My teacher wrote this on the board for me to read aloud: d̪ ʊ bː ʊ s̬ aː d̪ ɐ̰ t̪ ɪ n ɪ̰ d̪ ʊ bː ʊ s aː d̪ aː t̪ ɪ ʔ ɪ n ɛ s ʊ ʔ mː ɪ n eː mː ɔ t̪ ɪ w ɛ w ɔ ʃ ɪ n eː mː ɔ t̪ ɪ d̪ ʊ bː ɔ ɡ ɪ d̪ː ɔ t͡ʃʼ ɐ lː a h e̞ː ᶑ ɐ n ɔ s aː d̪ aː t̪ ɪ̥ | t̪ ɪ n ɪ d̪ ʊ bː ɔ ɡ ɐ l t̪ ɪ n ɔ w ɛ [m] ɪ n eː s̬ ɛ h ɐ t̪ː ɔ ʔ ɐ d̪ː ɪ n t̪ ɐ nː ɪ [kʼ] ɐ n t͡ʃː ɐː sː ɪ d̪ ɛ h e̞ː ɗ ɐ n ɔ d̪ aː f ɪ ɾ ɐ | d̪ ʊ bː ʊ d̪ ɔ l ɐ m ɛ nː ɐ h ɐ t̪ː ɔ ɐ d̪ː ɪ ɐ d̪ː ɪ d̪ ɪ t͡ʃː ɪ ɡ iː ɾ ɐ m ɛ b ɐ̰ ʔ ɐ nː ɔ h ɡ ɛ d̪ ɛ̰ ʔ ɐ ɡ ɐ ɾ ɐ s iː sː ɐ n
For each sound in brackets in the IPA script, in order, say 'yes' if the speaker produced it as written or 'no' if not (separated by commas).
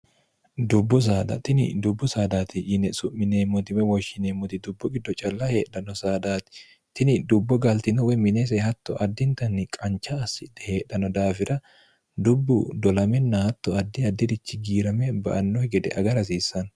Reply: yes, yes